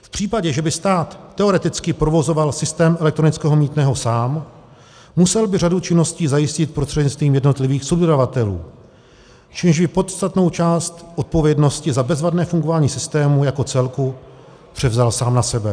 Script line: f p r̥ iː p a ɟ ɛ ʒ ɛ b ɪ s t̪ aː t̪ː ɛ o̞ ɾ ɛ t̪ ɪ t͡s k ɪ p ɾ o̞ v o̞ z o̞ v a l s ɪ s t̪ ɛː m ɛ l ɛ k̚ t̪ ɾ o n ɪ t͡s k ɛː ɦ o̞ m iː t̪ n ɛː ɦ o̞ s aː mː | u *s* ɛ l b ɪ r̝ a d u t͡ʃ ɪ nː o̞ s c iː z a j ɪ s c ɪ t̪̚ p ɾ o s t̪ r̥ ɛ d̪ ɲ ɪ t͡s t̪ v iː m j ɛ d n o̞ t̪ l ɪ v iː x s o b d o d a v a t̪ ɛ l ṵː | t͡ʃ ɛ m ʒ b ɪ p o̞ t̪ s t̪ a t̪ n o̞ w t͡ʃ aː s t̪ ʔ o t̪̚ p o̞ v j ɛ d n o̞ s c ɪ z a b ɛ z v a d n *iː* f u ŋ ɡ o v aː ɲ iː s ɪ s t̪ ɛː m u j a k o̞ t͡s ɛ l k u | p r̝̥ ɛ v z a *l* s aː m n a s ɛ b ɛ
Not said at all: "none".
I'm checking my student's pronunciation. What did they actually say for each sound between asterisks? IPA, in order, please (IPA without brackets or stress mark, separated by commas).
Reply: s, ɛː, l